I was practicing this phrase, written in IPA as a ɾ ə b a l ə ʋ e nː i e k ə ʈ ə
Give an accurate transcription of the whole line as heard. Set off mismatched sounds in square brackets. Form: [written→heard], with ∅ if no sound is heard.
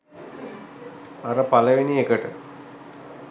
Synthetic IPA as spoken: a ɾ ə [b→p] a l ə ʋ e [nː→n] i e k ə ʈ ə